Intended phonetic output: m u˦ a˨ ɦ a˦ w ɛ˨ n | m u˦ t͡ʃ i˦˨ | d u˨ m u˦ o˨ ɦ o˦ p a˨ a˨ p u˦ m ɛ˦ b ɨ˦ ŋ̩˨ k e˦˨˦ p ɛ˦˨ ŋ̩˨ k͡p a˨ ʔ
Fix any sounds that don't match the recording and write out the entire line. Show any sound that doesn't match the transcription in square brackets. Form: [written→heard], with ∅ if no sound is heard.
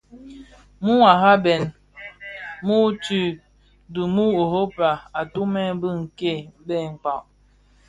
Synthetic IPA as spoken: m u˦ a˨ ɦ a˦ [w→b] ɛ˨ n | m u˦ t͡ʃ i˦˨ | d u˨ m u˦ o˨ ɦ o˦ p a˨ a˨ [p→t] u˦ m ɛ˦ b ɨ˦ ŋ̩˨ k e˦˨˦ [p→b] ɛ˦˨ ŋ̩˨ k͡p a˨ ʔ